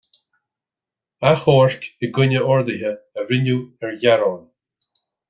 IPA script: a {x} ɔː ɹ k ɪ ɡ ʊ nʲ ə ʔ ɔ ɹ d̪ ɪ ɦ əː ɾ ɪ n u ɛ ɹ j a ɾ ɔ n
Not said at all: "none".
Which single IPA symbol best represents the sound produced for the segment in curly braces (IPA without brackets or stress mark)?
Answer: x